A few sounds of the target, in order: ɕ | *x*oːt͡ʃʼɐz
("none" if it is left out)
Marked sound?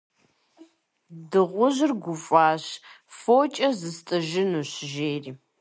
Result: f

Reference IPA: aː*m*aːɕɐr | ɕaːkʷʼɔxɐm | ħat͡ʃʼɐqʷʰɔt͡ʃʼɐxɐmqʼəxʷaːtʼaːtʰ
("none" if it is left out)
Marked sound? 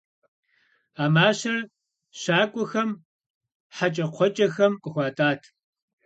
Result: m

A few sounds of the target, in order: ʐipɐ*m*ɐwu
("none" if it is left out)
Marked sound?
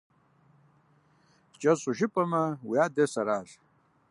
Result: m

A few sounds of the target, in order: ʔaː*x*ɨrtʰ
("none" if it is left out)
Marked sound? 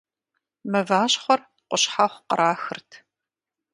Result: x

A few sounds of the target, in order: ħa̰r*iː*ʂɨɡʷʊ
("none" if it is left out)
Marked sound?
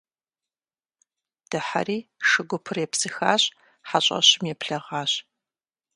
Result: iː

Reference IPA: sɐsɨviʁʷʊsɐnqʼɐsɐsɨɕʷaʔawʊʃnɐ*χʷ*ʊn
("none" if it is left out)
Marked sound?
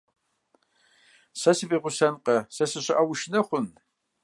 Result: χʷ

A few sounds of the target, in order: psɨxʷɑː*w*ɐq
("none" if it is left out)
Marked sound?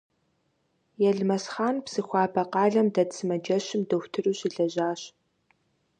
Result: b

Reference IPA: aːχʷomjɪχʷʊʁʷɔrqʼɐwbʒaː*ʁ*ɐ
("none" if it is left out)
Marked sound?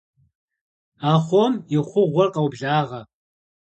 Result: ʁ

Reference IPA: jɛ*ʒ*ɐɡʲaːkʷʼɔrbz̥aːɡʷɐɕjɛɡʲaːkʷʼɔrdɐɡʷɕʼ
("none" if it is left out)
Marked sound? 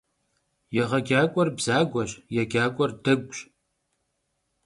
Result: ʁ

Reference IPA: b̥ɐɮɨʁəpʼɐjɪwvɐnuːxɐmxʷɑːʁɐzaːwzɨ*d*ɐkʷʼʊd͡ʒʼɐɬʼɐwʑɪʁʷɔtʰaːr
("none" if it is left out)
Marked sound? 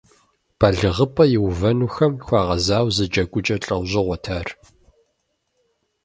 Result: d͡ʒ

